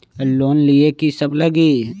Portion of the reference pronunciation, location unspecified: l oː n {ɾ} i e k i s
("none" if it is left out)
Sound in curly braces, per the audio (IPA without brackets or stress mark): l